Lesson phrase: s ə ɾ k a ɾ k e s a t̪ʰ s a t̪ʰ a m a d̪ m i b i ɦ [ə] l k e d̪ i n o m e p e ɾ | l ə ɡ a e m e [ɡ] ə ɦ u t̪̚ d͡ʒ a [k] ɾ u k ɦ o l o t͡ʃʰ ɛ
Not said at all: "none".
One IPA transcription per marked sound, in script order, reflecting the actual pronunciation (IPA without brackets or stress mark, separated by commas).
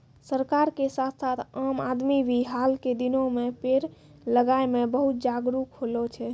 a, b, ɡ